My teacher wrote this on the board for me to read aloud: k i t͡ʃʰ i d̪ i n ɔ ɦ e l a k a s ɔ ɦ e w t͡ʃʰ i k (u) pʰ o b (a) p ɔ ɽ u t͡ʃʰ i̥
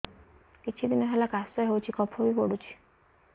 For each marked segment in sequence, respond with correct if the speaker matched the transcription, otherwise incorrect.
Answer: incorrect: ɔ, incorrect: i

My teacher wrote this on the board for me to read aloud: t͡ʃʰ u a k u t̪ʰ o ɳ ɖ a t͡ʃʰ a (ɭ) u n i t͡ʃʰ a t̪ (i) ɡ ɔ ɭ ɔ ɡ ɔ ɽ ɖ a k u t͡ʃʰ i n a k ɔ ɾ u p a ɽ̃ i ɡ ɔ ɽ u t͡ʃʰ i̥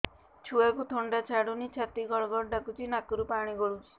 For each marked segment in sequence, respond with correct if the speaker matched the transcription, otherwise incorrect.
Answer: incorrect: ɽ, correct

